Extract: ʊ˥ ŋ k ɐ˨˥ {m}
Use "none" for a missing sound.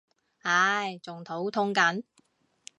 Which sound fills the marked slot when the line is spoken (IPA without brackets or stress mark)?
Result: n